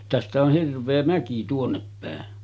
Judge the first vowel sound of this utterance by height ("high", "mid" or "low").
low